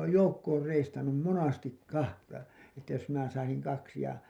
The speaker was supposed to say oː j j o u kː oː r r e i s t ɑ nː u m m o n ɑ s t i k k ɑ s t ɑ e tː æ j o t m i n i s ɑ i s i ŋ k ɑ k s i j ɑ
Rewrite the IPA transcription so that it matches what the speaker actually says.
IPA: oː j j o u kː oː r r e i s t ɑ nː u m m o n ɑ s t i k k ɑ h t ɑ e tː æ j o s m i n æ s ɑ i s i ŋ k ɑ k s i j ɑ